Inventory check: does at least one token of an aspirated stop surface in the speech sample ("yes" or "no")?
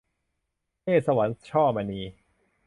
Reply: yes